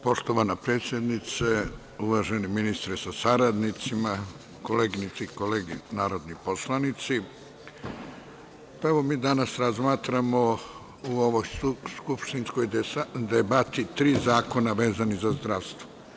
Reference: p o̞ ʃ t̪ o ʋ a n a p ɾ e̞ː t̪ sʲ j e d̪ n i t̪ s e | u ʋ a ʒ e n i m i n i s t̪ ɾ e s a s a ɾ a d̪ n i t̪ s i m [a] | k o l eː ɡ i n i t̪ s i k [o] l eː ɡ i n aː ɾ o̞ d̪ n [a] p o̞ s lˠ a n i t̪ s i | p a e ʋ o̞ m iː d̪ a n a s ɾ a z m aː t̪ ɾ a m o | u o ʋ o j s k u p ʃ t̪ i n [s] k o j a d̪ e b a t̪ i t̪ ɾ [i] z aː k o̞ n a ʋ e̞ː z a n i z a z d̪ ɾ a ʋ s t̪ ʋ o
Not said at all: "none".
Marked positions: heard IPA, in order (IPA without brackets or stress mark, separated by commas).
a, o, i, s, iː